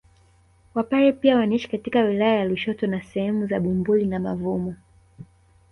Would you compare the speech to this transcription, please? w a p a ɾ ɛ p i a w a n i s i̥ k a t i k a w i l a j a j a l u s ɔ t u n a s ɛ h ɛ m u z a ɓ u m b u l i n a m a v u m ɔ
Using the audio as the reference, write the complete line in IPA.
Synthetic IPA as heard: w a p a ɾ ɛ p i a w a n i ʃ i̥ k a t i k a w i l a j a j a l u ʃ ɔ t ɔ n a s ɛ h ɛ m u z a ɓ u m b u l i n a m a v u m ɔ